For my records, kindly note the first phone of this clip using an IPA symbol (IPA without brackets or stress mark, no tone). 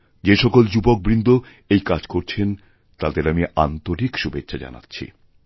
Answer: d͡ʑ